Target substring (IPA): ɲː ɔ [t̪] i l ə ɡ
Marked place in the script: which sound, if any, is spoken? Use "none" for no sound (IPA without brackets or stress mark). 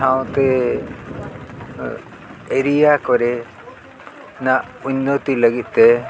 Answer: t̪